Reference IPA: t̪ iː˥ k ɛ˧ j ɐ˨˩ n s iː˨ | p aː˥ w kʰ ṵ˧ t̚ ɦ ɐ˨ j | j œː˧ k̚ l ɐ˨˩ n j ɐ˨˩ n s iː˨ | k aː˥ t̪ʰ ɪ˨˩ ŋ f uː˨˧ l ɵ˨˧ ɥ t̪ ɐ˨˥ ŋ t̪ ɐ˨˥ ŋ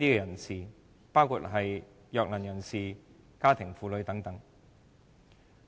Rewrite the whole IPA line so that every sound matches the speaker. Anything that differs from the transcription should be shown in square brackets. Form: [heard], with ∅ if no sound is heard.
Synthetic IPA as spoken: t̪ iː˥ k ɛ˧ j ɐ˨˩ n s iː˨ | p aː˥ w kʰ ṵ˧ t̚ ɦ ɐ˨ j | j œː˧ k̚ l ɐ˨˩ n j ɐ˨˩ n s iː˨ | k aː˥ t̪ʰ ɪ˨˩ ŋ f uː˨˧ l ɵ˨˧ ɥ t̪ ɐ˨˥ ŋ t̪ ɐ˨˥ ŋ